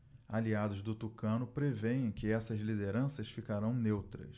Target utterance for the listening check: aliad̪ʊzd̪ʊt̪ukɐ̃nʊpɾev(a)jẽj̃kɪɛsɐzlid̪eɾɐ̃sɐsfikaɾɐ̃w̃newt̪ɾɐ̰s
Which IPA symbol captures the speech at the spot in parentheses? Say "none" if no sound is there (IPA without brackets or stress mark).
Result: e